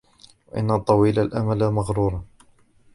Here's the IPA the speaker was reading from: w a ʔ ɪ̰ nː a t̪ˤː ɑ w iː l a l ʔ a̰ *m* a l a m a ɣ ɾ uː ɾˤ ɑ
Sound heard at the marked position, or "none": m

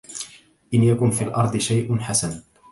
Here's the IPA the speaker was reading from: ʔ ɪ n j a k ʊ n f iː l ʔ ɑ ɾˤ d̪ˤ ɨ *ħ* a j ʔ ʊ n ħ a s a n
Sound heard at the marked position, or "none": ʃ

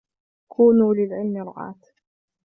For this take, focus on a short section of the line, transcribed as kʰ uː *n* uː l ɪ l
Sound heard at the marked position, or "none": n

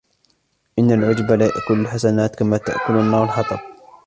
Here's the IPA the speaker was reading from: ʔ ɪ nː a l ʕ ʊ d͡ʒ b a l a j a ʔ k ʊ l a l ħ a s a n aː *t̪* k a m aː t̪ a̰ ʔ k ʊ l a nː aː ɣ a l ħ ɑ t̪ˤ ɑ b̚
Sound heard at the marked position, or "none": t̪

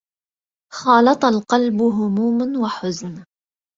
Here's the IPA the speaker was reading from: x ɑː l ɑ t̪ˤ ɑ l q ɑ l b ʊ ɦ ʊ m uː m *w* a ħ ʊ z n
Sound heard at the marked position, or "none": w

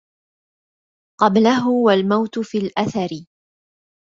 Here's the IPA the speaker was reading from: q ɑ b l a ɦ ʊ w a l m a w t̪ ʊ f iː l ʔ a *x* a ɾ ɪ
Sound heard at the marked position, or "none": θ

